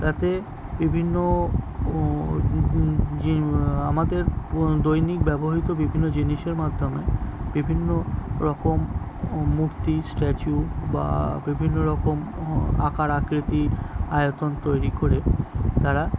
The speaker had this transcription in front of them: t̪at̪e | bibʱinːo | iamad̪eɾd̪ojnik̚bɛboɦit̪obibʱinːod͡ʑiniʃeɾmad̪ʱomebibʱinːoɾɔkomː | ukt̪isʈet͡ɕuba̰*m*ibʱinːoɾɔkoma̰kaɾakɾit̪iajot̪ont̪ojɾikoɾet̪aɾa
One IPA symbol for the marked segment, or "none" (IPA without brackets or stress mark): b